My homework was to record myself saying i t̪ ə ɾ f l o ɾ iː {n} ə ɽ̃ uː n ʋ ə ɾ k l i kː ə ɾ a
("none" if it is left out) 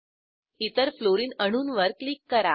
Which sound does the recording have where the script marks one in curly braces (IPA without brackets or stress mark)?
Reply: n